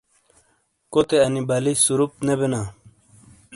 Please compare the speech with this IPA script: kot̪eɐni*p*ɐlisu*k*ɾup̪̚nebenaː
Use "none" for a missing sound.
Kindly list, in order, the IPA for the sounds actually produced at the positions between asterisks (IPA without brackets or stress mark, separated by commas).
b, none